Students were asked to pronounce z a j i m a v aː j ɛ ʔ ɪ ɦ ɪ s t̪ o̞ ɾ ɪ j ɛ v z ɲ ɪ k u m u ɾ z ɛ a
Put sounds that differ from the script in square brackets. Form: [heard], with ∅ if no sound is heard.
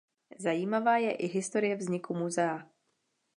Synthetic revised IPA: z a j [iː] m a v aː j ɛ ʔ ɪ ɦ ɪ s t̪ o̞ ɾ ɪ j ɛ v z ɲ ɪ k u m u [∅] z ɛ a